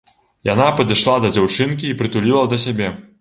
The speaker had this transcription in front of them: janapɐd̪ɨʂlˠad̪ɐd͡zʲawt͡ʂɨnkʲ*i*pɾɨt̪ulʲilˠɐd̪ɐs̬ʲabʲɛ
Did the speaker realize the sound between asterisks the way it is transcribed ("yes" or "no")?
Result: no